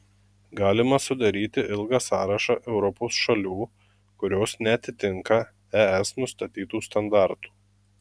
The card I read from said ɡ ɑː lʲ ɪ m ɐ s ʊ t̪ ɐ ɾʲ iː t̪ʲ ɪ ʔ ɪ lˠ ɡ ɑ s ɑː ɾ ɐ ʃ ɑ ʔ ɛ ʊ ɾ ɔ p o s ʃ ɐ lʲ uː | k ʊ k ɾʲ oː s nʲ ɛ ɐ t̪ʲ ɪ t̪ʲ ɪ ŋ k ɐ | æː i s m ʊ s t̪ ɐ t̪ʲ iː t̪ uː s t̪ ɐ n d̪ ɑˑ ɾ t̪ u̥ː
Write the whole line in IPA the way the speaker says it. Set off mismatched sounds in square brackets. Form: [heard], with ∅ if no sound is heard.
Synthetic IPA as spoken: ɡ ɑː lʲ ɪ m ɐ s ʊ [d̪] ɐ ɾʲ iː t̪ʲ ɪ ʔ ɪ lˠ ɡ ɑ s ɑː ɾ ɐ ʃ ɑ ʔ ɛ ʊ ɾ ɔ p o s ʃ ɐ lʲ uː | k ʊ [∅] ɾʲ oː s nʲ ɛ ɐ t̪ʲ ɪ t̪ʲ ɪ ŋ k ɐ | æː [ɛ] s [n] ʊ s t̪ ɐ t̪ʲ iː t̪ uː s t̪ ɐ n d̪ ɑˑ ɾ t̪ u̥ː